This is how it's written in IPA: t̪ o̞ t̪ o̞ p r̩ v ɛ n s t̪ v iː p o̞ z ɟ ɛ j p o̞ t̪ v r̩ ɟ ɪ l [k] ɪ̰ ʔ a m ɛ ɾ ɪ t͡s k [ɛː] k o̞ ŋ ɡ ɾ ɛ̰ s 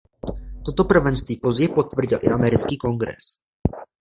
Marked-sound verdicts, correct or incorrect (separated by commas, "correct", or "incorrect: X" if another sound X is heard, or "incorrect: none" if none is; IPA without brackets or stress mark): incorrect: ʔ, incorrect: iː